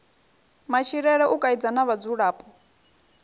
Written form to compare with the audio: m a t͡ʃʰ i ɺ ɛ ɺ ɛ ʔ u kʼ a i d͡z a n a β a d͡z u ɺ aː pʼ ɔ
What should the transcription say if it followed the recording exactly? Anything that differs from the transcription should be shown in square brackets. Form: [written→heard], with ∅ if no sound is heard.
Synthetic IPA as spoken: m a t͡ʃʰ i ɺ ɛ ɺ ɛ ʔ u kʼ a i d͡z a n a β a d͡z u ɺ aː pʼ ɔ